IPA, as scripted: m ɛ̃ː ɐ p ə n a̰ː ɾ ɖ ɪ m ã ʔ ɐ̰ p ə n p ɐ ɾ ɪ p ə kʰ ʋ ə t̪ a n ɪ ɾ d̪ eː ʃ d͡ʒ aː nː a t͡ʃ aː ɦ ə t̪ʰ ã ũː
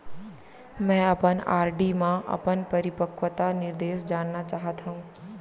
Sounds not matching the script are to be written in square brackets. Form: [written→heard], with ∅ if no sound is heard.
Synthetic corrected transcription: m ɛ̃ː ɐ p ə n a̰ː ɾ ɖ [ɪ→i] m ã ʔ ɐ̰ p ə n p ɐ ɾ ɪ p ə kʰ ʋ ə t̪ a n ɪ ɾ d̪ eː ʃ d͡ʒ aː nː a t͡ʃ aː ɦ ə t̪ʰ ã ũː